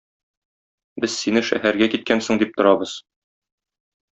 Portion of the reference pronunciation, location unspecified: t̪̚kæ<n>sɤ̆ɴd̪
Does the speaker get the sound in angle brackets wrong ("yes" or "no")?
no